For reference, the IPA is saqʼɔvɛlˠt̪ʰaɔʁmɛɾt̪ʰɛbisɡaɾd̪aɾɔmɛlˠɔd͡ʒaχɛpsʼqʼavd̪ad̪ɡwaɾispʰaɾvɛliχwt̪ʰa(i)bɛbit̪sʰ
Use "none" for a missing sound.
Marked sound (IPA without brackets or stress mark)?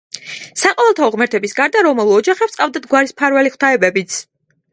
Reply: ɛ